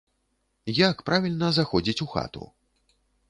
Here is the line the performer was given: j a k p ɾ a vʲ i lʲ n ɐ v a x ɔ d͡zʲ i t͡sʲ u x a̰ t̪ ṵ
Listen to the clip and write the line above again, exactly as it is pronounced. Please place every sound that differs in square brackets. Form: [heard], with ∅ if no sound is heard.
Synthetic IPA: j a k p ɾ a vʲ i lʲ n ɐ [z] a x ɔ d͡zʲ i t͡sʲ u x a̰ t̪ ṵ